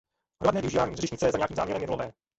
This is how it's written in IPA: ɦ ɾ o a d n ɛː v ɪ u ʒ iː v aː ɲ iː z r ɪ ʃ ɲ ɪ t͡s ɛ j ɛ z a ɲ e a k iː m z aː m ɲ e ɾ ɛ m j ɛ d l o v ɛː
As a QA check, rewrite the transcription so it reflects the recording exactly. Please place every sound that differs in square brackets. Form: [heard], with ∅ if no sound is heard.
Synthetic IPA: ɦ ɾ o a d n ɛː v ɪ u ʒ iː v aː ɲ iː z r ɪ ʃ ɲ ɪ t͡s ɛ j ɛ z a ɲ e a k iː m z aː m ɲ [ɛ] ɾ ɛ m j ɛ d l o v ɛː